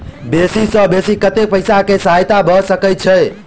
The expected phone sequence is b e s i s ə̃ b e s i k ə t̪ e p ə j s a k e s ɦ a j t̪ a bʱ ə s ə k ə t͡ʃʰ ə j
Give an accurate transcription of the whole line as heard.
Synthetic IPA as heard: b e s i s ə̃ b e s i k ə t̪ e p ə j s a k e s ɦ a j t̪ a bʱ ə s ə k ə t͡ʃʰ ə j